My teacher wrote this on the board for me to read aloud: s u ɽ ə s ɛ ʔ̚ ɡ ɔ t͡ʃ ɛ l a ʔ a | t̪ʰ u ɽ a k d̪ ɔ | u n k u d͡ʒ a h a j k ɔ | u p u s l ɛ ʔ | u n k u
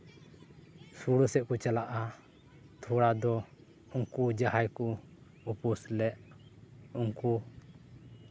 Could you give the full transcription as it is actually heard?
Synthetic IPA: s u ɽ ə s ɛ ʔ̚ k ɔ t͡ʃ a l a ʔ a | t̪ʰ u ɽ a d̪ ɔ | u ŋ k u d͡ʒ a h a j k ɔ | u p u s l ɛ ʔ | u ŋ k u